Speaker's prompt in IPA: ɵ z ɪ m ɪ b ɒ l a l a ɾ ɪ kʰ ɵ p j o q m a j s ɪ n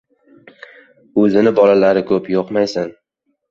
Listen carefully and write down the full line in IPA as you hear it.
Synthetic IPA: ɵ z ɪ n ɪ b ɒ l a l a ɾ ɪ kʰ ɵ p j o q m a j s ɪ n